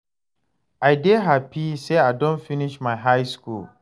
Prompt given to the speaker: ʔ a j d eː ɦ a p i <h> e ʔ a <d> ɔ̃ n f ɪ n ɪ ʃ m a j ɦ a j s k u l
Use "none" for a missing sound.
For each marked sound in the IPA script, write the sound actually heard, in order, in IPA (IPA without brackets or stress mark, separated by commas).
s, d